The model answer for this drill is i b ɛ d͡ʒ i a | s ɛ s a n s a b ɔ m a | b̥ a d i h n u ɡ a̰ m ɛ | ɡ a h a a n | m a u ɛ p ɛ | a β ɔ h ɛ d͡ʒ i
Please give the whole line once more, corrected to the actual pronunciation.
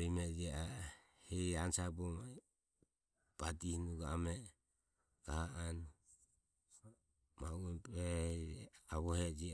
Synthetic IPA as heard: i m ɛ d͡ʒ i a | h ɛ a n s a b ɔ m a | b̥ a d i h n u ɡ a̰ m ɛ | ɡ a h a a n | m a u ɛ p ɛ | a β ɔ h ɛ d͡ʒ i